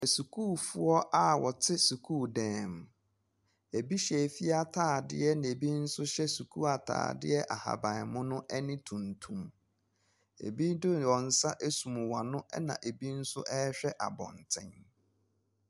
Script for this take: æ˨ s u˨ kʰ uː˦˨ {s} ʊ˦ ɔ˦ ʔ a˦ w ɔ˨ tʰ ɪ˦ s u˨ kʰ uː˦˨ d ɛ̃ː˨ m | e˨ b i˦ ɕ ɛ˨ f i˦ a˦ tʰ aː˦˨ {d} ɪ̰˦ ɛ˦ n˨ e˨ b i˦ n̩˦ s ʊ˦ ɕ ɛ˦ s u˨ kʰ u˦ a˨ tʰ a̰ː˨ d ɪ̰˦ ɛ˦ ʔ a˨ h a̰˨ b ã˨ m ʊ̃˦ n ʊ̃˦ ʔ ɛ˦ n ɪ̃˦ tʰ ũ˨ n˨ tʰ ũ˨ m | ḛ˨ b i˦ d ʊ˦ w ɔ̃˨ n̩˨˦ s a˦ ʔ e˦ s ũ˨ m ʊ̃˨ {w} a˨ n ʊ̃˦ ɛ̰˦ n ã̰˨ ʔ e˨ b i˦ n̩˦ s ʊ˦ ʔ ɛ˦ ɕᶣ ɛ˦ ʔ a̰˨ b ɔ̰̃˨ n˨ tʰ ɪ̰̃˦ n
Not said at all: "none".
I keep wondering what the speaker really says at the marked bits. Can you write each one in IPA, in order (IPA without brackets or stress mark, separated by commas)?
f, d, w